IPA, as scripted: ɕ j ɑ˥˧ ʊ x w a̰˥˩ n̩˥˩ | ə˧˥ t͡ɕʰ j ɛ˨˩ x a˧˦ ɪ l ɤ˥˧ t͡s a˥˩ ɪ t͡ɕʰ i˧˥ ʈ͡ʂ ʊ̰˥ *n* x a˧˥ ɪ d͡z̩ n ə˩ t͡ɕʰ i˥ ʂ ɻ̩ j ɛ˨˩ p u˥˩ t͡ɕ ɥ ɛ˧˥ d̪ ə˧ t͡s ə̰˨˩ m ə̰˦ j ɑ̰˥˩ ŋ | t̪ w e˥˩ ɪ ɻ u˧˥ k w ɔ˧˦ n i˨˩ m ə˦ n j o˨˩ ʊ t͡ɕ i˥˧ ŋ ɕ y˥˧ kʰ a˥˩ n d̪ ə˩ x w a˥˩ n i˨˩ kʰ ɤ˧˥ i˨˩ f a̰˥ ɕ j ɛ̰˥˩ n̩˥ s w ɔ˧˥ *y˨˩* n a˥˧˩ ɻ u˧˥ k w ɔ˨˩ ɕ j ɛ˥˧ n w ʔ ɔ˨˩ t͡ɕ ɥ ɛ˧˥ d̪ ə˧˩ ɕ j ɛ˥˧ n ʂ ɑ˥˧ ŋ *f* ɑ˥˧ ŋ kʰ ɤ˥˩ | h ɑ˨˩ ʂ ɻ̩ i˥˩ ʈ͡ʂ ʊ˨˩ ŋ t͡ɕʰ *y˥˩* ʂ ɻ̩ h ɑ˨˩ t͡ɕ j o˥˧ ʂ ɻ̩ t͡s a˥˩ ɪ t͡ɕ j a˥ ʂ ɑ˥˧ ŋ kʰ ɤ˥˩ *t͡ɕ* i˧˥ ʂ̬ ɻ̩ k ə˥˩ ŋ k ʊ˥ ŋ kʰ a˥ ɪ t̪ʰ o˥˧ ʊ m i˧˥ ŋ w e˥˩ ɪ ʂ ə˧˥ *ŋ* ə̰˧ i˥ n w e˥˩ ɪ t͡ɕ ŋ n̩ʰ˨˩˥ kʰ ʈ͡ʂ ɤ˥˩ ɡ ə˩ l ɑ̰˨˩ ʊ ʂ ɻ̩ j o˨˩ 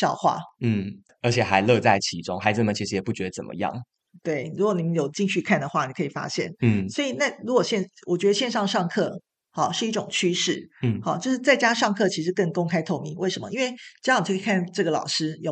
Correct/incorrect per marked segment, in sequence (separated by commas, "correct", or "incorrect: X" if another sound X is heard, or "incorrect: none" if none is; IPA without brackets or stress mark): incorrect: ŋ, incorrect: i˨˩, incorrect: ʂ, incorrect: y˥, incorrect: t͡ɕʰ, incorrect: m